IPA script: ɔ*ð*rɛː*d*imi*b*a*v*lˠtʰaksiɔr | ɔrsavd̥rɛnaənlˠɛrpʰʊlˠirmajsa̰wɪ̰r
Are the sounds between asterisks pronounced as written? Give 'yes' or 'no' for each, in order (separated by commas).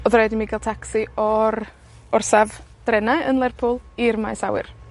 yes, yes, no, no